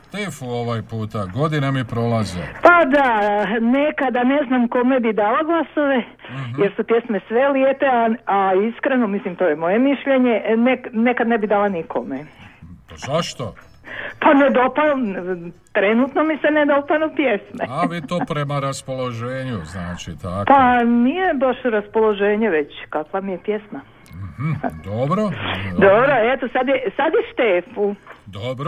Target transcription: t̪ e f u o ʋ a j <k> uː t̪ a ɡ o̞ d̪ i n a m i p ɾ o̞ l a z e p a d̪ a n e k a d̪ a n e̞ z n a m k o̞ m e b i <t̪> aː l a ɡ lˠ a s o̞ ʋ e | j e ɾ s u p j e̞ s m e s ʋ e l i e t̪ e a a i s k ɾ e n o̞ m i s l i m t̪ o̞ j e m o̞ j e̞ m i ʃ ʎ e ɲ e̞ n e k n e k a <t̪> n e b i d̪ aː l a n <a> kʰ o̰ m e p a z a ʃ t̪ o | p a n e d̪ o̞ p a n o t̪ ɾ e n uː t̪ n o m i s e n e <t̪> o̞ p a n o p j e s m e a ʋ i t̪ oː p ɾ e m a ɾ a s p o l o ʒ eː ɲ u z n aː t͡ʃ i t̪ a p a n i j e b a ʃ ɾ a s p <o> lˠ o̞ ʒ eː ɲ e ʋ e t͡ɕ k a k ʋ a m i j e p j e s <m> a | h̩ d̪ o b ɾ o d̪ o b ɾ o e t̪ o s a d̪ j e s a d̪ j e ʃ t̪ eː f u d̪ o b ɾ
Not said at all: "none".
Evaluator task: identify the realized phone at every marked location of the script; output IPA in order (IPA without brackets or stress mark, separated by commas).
p, d̪, d̪, i, d̪, o, m